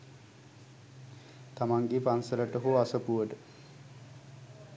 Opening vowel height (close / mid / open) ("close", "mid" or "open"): open